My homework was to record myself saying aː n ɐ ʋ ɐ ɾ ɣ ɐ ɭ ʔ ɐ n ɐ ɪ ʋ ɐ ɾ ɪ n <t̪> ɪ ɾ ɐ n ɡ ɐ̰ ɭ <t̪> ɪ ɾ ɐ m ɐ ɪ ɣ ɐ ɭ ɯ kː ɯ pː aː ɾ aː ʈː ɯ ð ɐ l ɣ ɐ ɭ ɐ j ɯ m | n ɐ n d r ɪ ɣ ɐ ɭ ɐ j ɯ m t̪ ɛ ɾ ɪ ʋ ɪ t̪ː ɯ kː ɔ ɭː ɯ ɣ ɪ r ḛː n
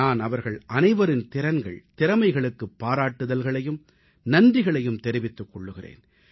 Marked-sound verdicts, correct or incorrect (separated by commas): correct, correct